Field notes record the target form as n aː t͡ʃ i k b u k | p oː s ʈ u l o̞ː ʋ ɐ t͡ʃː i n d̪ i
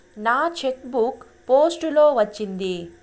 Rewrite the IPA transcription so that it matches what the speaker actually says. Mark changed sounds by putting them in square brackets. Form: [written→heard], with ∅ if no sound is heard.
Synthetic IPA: n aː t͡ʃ [i→e] k b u k | p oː s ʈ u l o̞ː ʋ ɐ t͡ʃː i n d̪ i